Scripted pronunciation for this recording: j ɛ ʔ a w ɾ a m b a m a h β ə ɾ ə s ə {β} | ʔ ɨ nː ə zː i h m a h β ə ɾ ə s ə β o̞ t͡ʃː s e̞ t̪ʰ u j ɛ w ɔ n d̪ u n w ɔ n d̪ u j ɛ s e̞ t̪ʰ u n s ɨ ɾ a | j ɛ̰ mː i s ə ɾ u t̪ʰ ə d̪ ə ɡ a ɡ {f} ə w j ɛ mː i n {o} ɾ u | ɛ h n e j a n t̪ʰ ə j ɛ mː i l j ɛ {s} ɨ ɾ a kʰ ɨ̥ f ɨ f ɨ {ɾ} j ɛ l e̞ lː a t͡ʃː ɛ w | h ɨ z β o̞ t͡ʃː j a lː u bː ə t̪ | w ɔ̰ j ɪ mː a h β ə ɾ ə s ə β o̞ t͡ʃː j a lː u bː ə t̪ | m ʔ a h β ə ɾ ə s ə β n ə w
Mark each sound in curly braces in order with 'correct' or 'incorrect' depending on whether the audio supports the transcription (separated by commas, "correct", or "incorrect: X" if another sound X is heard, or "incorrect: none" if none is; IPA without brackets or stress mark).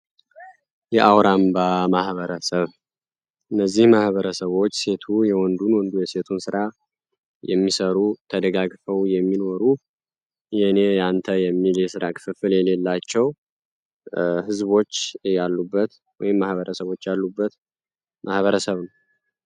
correct, correct, correct, correct, incorrect: l